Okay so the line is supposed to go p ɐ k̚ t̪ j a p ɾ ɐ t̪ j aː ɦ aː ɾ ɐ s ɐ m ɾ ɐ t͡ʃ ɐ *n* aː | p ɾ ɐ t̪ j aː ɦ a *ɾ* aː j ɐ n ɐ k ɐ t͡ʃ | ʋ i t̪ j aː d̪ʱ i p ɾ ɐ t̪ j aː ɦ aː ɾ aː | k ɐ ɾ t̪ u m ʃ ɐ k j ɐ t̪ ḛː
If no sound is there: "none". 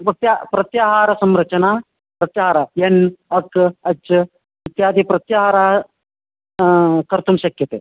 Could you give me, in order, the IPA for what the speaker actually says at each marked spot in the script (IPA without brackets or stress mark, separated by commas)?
n, ɾ